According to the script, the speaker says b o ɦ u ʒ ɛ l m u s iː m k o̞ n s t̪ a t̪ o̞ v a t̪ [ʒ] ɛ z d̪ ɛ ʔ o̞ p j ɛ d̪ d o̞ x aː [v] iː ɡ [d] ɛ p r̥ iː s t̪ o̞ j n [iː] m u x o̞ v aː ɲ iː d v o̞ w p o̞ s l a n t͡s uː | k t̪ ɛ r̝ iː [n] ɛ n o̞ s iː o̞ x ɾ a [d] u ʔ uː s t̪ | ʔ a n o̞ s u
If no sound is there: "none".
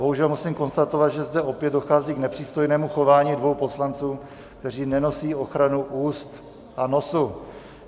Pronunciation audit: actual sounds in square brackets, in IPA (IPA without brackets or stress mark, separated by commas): ʒ, z, n, ɛː, n, n